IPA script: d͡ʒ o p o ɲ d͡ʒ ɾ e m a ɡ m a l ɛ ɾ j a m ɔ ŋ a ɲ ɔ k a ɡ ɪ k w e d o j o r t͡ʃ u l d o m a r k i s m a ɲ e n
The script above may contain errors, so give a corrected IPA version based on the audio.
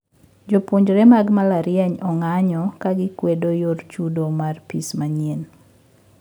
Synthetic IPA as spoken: d͡ʒ o p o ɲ d͡ʒ ɾ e m a ɡ m a l a ɾ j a ɲ ɔ ŋ a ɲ ɔ k a ɡ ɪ k w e d o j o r t͡ʃ u d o m a r p i s m a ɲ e n